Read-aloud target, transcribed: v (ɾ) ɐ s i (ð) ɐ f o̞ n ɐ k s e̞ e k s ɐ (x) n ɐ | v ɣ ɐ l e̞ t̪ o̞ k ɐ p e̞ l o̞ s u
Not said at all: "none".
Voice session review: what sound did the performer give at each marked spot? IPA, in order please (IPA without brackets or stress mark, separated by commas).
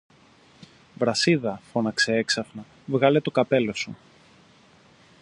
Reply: ɾ, ð, f